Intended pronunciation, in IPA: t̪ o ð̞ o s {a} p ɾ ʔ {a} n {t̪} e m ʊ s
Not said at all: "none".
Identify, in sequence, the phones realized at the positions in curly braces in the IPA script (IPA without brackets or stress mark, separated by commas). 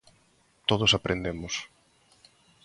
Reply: a, e, d̪